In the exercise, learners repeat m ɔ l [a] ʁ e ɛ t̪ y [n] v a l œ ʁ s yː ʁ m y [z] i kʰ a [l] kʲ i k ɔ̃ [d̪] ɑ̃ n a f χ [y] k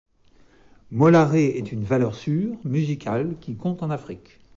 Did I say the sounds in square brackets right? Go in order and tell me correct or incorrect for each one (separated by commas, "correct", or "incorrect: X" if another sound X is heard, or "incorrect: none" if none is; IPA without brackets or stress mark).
correct, correct, correct, correct, incorrect: t̪, incorrect: i